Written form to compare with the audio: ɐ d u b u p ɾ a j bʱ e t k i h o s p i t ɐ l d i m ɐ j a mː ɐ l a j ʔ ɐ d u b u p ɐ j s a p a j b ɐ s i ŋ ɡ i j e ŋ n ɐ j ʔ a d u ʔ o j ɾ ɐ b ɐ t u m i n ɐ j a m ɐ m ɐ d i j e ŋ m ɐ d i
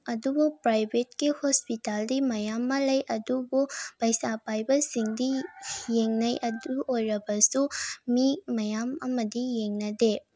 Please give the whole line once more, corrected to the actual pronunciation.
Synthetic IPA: ɐ d u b u p ɾ a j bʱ e t k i h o s p i t a l d i m ɐ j a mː ɐ l ɐ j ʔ ɐ d u b u p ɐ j s a p a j b ɐ s i ŋ d i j e ŋ n ɐ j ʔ ɐ d u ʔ o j ɾ ɐ b ɐ s u m i m ɐ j a m ɐ m ɐ d i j e ŋ n ɐ d e